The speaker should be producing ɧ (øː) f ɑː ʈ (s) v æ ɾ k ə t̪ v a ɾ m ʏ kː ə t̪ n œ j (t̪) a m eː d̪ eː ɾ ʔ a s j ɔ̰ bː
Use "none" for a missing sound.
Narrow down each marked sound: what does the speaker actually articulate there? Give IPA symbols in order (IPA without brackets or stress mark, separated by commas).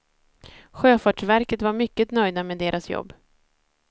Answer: øː, ʂ, d̪